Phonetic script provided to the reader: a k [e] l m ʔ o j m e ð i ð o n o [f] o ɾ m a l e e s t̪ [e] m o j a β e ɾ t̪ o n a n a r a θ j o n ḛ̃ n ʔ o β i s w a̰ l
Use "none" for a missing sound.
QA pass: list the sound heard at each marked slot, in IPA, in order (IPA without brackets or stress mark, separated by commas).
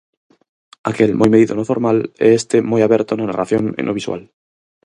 e, f, e